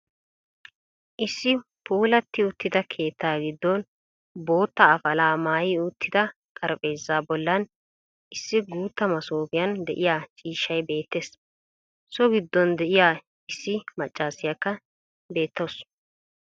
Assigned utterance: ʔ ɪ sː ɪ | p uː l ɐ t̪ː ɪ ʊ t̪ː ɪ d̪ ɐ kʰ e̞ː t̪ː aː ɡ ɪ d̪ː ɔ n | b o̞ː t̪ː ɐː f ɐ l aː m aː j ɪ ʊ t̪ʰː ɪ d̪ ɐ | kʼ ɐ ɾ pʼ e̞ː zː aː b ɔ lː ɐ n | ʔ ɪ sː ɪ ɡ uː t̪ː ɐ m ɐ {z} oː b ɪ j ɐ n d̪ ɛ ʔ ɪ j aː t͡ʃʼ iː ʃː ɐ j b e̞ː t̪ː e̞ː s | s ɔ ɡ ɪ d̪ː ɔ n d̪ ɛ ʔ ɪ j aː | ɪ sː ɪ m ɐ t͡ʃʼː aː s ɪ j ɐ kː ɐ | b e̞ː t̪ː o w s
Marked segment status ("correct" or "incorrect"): incorrect